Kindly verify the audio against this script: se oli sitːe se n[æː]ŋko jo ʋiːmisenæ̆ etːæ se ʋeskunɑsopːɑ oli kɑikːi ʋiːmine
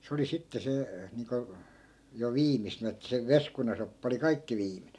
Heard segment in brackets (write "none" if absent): iː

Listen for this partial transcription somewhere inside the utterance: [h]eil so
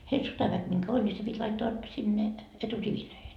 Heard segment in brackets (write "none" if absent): h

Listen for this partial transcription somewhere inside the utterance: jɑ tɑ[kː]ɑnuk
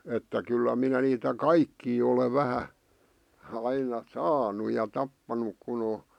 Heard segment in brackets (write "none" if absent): pː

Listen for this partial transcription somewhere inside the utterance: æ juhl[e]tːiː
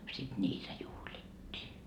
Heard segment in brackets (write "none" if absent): i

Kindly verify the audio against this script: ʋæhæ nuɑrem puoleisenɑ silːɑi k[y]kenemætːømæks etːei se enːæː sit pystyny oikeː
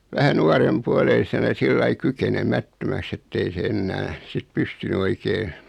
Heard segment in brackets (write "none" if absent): y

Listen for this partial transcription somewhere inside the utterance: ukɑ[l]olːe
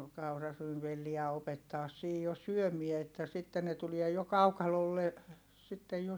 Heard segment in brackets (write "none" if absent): l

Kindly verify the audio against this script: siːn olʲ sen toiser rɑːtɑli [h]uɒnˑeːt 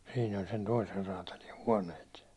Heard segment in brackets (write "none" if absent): h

